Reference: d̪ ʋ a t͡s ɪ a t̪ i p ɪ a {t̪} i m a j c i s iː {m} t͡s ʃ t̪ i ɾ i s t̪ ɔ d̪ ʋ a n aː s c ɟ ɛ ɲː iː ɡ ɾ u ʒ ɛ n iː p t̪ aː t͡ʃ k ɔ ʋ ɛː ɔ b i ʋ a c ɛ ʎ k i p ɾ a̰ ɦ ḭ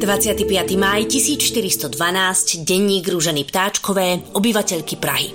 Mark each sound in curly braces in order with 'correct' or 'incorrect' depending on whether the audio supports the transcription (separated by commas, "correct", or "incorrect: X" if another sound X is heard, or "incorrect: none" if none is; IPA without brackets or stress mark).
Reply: correct, incorrect: none